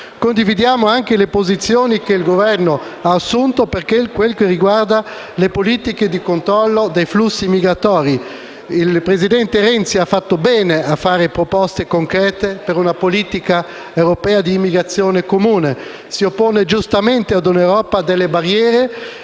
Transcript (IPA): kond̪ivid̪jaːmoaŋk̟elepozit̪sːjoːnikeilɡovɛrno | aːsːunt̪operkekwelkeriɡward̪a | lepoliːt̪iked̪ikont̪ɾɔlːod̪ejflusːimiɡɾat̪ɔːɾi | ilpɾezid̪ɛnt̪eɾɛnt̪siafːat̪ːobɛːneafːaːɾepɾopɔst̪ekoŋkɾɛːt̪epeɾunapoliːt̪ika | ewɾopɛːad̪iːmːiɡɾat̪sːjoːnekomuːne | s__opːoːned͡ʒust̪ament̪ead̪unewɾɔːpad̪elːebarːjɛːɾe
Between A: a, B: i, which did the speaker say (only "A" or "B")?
B